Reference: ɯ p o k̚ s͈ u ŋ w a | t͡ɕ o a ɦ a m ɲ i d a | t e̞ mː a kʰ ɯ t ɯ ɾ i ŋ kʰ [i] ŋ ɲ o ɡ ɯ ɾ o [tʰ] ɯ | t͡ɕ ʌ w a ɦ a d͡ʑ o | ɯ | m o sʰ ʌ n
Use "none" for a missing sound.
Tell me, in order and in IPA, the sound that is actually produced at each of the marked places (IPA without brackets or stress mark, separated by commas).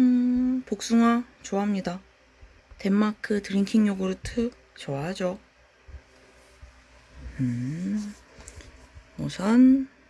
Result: i, tʰ